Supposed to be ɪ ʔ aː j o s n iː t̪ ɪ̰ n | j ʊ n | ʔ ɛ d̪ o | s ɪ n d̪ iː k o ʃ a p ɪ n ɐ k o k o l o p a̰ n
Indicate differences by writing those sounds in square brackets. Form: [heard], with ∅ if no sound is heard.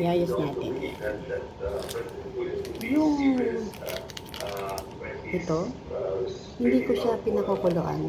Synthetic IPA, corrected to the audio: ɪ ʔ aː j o s n [aː] t̪ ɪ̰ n | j ʊ [ŋ] | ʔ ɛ [t̪] o | [h] ɪ n d̪ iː k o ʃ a p ɪ n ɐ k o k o l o [ʔ] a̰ n